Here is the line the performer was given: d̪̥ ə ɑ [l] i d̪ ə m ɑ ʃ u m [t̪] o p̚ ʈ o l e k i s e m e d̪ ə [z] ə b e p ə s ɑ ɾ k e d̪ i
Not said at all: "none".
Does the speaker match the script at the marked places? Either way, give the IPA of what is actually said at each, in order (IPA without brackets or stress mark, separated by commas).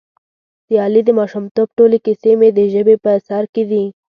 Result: l, t̪, ʒ